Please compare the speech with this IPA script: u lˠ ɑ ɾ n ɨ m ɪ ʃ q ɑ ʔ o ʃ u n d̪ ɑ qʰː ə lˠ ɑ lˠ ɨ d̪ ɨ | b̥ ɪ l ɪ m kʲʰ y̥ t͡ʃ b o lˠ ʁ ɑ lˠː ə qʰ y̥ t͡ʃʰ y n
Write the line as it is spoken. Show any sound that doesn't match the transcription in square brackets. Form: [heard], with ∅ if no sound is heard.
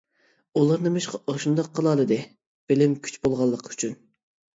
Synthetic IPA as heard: u lˠ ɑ ɾ n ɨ m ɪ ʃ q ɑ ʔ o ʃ u n d̪ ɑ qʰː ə lˠ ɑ lˠ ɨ d̪ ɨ | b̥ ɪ l ɪ m kʲʰ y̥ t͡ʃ b o lˠ ʁ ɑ lˠː ə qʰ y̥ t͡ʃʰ y n